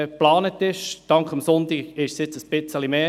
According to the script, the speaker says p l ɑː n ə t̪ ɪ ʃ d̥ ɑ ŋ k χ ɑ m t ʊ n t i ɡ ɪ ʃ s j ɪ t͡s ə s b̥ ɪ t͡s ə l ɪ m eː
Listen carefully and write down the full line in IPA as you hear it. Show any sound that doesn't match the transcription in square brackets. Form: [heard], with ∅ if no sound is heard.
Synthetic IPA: p l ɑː n ə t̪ ɪ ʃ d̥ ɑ ŋ k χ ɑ m [s] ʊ n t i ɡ ɪ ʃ s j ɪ t͡s ə s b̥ ɪ t͡s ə l [i] m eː